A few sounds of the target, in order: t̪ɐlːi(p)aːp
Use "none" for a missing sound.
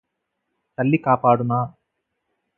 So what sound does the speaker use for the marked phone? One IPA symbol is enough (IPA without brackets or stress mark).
k